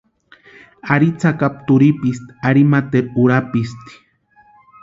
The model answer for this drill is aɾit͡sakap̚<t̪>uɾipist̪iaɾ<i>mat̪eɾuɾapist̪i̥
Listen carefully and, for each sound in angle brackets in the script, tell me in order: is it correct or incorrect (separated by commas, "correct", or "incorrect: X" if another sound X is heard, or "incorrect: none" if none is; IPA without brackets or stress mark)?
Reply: correct, correct